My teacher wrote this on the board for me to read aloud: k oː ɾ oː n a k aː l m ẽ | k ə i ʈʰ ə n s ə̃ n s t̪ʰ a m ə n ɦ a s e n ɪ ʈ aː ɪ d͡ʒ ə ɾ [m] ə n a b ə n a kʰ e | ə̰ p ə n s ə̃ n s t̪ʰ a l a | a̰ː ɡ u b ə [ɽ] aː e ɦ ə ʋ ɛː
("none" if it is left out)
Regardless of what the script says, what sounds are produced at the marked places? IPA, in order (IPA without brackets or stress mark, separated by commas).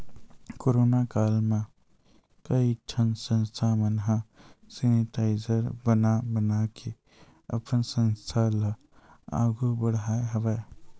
b, ɽ